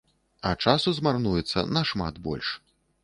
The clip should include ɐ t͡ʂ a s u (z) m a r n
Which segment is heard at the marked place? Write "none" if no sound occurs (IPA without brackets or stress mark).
z